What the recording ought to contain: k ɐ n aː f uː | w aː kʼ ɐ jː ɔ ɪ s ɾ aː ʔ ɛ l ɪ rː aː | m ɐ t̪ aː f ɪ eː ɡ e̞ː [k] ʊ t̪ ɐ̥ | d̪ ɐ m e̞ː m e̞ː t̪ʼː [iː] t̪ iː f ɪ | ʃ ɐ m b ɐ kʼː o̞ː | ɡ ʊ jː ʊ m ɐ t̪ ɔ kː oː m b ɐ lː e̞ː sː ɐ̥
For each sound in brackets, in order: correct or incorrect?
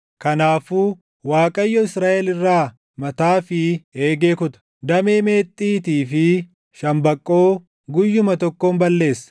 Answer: correct, correct

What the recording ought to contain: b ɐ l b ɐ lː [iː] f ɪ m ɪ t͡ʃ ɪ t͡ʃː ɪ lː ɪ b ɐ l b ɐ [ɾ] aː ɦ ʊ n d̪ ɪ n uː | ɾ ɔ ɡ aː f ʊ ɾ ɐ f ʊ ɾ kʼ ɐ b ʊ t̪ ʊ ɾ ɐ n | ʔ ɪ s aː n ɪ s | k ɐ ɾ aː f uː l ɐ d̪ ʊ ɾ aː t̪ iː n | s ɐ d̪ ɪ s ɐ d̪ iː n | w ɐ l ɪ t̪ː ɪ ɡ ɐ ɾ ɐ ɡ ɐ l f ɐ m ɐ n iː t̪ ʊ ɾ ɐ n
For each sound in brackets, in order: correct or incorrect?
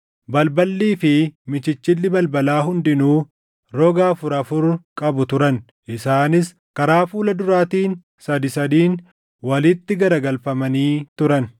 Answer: correct, incorrect: l

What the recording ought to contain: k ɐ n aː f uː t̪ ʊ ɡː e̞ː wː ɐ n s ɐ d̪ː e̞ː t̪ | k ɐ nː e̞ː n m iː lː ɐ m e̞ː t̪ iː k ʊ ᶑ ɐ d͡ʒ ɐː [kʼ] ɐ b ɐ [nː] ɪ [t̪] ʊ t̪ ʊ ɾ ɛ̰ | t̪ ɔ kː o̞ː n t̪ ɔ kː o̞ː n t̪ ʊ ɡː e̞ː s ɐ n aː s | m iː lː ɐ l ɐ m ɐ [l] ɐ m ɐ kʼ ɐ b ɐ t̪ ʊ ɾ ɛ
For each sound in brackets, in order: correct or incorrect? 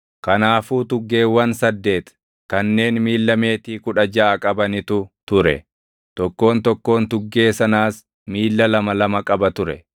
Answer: correct, incorrect: n, correct, correct

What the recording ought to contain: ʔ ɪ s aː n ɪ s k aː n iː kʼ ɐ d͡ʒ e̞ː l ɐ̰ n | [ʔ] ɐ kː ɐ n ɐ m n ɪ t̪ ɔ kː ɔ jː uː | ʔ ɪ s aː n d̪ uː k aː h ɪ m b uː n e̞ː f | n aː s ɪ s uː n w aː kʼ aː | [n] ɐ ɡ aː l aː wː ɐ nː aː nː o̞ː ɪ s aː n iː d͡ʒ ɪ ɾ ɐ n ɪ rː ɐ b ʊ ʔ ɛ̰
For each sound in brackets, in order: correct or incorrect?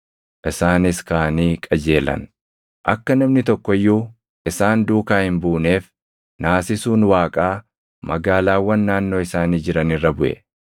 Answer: correct, incorrect: m

